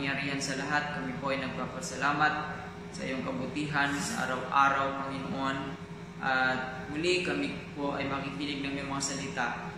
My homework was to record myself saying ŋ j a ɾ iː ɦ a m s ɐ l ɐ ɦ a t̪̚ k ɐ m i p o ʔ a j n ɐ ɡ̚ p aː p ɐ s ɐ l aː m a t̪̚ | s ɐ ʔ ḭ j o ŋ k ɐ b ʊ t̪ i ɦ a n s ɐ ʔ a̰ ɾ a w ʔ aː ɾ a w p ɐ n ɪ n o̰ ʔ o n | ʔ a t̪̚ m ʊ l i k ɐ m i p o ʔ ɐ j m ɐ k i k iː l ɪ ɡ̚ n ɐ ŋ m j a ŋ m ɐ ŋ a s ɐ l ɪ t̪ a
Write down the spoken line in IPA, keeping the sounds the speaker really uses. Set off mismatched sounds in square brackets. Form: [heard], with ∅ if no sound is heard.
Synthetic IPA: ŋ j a ɾ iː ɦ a [n] s ɐ l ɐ ɦ a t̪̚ k ɐ m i p o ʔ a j n ɐ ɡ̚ p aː p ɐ s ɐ l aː m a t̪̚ | s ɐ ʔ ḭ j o ŋ k ɐ b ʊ t̪ i ɦ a n s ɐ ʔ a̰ ɾ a w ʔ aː ɾ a w p ɐ [ŋ] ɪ n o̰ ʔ o n | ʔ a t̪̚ m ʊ l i k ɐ m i p o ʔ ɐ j m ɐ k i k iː l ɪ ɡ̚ n ɐ ŋ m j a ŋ m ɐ ŋ a s ɐ l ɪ t̪ a